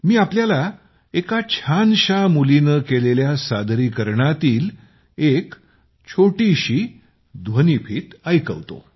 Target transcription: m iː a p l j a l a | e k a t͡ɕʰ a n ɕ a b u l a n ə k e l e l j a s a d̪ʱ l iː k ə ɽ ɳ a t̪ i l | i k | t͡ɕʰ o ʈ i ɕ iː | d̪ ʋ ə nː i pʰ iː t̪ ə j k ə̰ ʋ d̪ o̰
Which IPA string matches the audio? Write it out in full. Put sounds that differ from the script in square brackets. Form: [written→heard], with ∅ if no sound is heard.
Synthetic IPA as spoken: m iː a p l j a l a | e k a t͡ɕʰ a n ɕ a [b→m] u l [a→i] n ə k e l e l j a s a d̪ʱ [l→ɾ] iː k ə [ɽ→ɾ] ɳ a t̪ [i→iː] l | [i→e] k | t͡ɕʰ o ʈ i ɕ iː | d̪ ʋ ə [nː→n] i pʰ iː t̪ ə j k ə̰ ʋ [d̪→t̪] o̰